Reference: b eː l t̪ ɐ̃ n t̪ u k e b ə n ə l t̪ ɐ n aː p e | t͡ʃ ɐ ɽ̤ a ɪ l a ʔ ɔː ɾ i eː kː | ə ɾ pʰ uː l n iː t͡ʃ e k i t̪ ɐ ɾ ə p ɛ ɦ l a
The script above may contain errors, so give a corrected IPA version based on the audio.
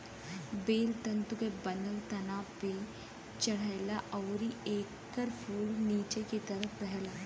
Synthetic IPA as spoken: b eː l t̪ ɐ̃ n t̪ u k e b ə n ə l t̪ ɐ n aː p e | t͡ʃ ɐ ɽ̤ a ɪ l a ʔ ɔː ɾ i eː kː | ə ɾ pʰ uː l n iː t͡ʃ e k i t̪ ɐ ɾ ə p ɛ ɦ l a